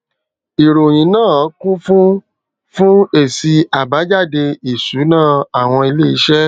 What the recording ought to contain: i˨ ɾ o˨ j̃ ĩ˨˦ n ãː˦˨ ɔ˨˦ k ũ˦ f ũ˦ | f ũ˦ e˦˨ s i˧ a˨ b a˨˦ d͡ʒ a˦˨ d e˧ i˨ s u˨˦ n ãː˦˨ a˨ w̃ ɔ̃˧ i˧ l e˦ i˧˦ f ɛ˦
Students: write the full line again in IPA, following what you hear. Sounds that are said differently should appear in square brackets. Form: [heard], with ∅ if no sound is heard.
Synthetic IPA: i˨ ɾ o˨ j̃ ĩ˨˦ n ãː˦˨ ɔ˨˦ k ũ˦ f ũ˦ | f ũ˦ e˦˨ s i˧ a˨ b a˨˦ d͡ʒ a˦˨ d e˧ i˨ s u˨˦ n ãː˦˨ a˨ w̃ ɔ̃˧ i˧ l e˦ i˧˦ [ʃ] ɛ˦